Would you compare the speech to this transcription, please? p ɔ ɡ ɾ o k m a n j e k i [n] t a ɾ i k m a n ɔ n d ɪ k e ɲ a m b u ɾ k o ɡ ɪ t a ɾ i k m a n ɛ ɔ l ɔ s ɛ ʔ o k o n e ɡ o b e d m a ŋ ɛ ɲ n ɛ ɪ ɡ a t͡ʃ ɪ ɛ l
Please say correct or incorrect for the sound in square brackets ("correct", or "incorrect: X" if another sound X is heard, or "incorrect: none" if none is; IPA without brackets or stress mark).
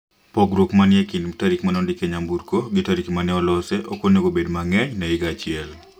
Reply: correct